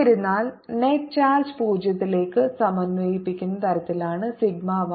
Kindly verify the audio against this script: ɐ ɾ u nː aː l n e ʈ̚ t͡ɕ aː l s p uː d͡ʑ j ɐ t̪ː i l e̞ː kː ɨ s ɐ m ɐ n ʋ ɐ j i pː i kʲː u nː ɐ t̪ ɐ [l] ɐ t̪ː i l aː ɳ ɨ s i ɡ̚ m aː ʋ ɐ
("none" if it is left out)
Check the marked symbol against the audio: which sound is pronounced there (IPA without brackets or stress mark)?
ɾ